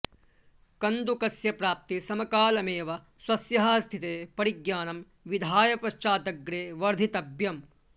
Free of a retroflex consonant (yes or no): yes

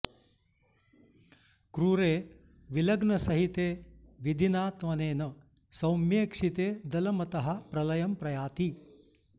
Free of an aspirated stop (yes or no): yes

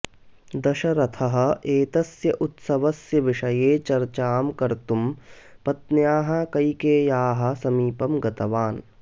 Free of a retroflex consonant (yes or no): yes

